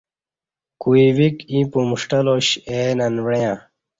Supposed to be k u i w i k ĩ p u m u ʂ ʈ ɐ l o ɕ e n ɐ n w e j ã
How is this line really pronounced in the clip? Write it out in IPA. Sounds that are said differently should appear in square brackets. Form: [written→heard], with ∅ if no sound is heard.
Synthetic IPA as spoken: k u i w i k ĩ p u m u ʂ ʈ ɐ l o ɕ e n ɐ n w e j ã